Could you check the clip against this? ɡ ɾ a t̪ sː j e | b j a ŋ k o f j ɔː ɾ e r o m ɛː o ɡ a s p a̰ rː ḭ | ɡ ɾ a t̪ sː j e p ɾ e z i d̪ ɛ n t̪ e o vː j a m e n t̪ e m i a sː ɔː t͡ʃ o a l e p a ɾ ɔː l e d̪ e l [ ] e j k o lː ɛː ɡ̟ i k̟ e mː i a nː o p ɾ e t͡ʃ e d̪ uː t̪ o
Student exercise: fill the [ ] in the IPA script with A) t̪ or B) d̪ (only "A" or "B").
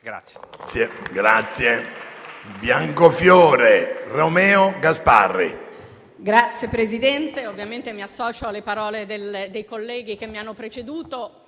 B